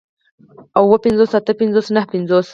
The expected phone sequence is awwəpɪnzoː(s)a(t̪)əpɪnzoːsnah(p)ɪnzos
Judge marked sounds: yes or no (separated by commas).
yes, yes, yes